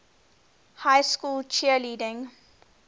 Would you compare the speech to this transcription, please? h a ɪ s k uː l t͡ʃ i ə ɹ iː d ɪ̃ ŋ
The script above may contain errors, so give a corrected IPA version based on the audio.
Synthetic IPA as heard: h a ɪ s k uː l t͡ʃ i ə l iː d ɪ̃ ŋ